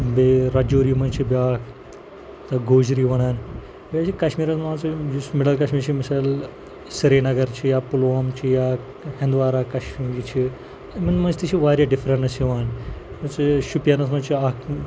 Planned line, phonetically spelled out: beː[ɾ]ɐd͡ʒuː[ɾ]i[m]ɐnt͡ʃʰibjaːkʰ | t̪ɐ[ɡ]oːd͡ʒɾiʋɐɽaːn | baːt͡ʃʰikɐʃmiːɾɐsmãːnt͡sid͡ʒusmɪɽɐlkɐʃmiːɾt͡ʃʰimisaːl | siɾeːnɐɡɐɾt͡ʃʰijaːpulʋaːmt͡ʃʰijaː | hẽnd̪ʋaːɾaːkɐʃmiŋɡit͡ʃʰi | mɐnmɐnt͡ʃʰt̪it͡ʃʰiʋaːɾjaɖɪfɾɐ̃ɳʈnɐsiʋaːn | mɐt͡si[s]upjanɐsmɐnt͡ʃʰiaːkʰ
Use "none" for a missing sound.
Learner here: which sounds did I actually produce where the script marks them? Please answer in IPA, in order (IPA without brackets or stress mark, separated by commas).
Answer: ɾ, ɾ, m, ɡ, ʃ